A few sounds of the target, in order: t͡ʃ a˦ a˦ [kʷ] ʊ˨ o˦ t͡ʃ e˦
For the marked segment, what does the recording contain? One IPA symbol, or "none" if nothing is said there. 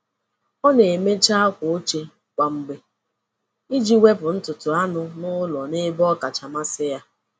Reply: kʷ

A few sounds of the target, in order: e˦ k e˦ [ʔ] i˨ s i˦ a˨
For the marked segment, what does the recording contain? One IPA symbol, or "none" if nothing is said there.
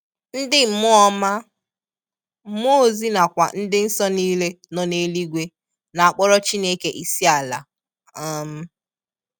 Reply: ʔ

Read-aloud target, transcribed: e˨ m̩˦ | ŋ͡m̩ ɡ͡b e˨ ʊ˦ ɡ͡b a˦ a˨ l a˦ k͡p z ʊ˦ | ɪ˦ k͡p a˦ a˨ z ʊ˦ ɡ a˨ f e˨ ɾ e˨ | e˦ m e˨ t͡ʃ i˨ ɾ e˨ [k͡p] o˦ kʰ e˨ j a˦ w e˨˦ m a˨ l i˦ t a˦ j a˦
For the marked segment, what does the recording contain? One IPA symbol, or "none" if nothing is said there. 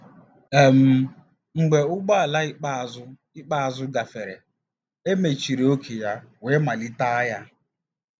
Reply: none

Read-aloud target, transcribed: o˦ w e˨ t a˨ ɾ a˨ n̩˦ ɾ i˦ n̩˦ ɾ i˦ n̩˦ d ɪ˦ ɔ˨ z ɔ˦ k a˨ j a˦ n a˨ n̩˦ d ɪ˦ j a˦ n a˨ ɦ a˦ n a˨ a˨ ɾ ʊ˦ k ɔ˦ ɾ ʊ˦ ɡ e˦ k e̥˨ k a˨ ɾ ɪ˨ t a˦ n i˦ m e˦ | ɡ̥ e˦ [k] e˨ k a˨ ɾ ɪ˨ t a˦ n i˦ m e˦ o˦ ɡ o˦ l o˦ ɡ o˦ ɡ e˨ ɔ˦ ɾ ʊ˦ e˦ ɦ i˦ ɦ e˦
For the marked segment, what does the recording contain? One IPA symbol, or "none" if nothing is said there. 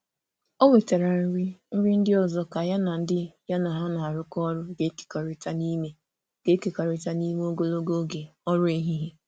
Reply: k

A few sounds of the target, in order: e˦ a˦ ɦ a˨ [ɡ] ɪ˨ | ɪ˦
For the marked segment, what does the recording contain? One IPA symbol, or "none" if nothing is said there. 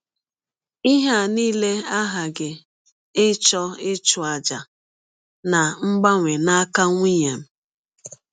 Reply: ɡ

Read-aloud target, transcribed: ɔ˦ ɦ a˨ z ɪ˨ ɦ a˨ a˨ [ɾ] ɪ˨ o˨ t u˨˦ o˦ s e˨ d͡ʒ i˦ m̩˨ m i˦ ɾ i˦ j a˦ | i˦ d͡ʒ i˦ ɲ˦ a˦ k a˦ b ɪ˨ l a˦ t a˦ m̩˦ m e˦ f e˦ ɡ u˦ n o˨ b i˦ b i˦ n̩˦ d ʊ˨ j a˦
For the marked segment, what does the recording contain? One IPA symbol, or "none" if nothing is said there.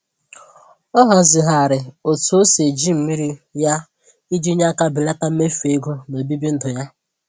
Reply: ɾ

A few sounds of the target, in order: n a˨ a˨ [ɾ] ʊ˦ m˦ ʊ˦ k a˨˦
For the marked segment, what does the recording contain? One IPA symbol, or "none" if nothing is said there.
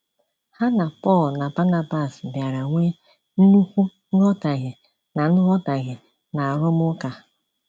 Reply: ɾ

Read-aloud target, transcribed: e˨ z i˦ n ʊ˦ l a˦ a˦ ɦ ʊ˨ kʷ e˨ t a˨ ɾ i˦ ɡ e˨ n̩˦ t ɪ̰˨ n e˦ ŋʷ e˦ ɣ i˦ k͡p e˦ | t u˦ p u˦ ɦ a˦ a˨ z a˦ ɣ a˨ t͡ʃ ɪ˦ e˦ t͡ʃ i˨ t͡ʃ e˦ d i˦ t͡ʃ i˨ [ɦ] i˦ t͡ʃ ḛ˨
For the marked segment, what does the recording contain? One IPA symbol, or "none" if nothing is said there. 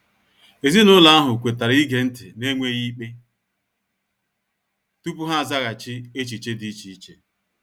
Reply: none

